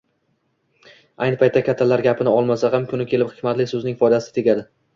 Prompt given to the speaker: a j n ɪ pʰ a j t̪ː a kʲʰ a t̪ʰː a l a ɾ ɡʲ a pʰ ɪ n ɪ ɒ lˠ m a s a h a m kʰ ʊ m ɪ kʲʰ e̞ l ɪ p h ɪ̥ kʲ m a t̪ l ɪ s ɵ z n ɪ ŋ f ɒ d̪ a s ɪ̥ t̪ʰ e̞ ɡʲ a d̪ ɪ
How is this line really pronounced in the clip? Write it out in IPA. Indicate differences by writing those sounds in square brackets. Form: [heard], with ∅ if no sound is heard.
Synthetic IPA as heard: a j n ɪ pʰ a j t̪ː a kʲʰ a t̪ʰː a l a ɾ ɡʲ a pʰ ɪ n ɪ ɒ lˠ m a s a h a m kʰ ʊ [n] ɪ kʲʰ e̞ l ɪ p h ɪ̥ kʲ m a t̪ l ɪ s ɵ z n ɪ ŋ f ɒ d̪ a s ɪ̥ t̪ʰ e̞ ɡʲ a d̪ ɪ

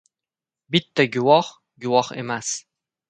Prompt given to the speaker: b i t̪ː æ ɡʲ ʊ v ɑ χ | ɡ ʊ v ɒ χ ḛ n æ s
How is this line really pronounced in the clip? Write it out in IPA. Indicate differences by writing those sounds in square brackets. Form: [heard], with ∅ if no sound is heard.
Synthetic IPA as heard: b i t̪ː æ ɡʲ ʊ [w] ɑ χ | ɡ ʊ [w] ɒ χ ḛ [m] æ s

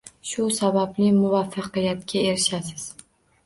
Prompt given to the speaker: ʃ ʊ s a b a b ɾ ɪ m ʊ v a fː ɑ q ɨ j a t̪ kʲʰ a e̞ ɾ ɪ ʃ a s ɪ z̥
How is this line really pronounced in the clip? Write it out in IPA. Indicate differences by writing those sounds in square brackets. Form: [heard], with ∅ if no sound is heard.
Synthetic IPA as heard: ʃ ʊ s a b a b [l] ɪ m ʊ v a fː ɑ q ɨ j a t̪ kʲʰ a e̞ ɾ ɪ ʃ a s ɪ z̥

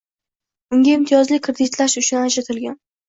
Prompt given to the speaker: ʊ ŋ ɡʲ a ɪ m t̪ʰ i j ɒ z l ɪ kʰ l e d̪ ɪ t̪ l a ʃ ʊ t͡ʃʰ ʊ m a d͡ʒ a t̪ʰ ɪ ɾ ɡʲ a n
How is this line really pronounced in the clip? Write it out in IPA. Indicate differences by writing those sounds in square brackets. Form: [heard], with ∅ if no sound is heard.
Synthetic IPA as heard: ʊ ŋ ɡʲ a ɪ m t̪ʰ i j ɒ z l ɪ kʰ [ɾ] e d̪ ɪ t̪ l a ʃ ʊ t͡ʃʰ ʊ [n] a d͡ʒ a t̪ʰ ɪ [l] ɡʲ a n

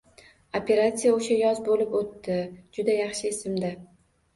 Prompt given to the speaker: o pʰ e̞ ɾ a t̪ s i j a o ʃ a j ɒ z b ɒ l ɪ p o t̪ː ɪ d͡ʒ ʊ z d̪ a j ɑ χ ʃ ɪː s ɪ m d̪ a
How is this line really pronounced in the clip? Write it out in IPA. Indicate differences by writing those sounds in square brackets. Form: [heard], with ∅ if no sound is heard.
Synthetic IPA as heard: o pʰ e̞ ɾ a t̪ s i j a o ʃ a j ɒ z b [o] l ɪ p o t̪ː ɪ d͡ʒ ʊ [∅] d̪ a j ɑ χ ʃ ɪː s ɪ m d̪ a

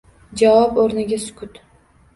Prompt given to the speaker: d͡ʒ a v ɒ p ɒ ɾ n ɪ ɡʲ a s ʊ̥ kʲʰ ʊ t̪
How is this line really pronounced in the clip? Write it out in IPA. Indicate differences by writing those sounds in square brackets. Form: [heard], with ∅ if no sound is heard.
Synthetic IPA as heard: d͡ʒ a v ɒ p [o] ɾ n ɪ ɡʲ a s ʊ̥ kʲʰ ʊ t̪

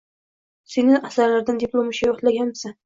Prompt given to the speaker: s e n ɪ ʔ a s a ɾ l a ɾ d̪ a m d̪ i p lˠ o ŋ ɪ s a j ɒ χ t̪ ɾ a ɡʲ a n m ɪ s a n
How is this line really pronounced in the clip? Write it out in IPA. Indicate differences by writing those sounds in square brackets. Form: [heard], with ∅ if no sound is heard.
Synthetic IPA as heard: s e n ɪ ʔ a s a ɾ l a ɾ d̪ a [n] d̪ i p lˠ o [m] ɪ [ʃ] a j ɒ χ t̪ [l] a ɡʲ a n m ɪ s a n

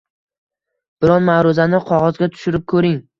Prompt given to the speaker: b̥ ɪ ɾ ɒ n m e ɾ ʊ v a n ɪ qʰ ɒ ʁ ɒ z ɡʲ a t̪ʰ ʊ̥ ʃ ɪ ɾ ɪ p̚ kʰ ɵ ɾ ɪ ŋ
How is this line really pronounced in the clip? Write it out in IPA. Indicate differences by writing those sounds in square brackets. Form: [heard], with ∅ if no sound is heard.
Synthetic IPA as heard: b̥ ɪ ɾ ɒ n m [a] ɾ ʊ [z] a n ɪ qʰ ɒ ʁ ɒ z ɡʲ a t̪ʰ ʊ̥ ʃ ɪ ɾ ɪ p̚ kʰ ɵ ɾ ɪ ŋ

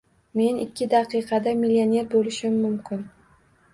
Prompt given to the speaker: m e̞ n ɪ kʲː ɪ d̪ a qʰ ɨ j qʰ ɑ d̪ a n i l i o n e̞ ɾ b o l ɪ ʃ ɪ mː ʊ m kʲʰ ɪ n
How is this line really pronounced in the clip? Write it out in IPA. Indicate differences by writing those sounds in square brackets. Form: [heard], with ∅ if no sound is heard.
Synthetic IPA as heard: m e̞ n ɪ kʲː ɪ d̪ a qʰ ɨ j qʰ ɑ d̪ a [m] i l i o n e̞ ɾ b o l ɪ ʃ ɪ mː ʊ m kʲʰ ɪ n

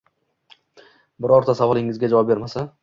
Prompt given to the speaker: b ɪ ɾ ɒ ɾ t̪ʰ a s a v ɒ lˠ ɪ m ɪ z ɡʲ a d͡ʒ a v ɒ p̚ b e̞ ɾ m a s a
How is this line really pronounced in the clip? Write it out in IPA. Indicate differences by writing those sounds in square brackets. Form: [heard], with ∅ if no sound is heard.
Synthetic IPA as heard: b ɪ ɾ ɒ ɾ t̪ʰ a s a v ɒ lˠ ɪ [ŋ] ɪ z ɡʲ a d͡ʒ a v ɒ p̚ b e̞ ɾ m a s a

